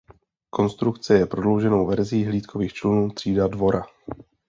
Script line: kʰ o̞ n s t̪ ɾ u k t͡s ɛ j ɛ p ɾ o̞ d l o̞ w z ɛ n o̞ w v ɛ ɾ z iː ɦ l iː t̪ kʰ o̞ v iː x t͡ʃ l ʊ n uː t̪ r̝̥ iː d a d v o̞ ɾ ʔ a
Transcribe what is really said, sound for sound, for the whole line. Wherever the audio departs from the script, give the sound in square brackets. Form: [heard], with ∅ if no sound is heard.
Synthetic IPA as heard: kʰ o̞ n s t̪ ɾ u k t͡s ɛ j ɛ p ɾ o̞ d l o̞ w [ʒ] ɛ n o̞ w v ɛ ɾ z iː ɦ l iː t̪ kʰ o̞ v iː x t͡ʃ l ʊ n uː t̪ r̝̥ iː d a d v o̞ ɾ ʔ a